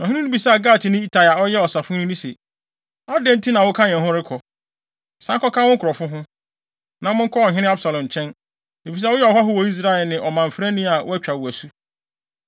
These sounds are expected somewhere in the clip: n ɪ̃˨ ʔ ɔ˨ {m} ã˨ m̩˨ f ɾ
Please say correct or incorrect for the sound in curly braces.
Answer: correct